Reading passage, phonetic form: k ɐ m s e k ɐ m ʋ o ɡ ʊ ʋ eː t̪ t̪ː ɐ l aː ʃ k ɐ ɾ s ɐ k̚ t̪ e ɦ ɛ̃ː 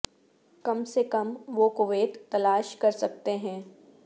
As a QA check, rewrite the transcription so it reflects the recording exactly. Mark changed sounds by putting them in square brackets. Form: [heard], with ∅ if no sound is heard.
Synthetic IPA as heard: k ɐ m s e k ɐ m ʋ o [k] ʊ ʋ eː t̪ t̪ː ɐ l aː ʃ k ɐ ɾ s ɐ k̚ t̪ e ɦ ɛ̃ː